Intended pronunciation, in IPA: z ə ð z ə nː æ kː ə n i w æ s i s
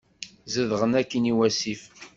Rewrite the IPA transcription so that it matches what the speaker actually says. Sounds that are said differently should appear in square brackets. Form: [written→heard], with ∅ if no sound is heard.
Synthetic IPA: z ə ð [z→ʁ] ə [nː→n] æ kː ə n i w æ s i [s→f]